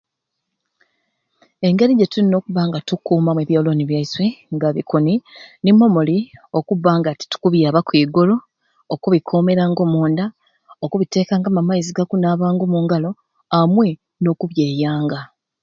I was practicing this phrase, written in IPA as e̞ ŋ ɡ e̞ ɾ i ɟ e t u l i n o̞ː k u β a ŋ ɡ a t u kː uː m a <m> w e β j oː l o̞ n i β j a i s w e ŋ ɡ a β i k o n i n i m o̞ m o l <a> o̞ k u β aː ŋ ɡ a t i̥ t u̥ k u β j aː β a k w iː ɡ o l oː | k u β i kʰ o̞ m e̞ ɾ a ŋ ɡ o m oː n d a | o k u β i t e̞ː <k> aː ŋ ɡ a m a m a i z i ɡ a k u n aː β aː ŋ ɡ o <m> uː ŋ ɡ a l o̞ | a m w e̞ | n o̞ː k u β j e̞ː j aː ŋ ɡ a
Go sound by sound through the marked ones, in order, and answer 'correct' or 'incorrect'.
correct, incorrect: i, correct, correct

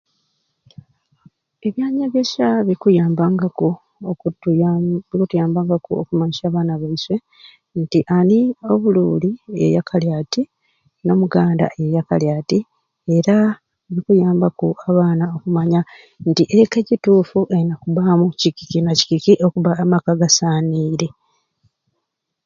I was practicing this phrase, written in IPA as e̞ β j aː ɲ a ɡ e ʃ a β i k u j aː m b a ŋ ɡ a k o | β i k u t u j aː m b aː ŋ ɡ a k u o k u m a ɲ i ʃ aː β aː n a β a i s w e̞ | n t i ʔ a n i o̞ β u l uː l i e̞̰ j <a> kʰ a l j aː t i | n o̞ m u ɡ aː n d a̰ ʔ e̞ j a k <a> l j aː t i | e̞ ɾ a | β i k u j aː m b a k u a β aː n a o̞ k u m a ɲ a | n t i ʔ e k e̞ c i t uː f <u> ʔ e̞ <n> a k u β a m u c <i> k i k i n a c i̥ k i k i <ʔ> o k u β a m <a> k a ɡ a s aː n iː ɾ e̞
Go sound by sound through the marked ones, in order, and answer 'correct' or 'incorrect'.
correct, correct, correct, correct, correct, correct, correct

